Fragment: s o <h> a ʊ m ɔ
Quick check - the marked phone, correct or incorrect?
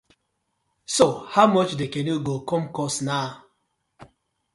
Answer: correct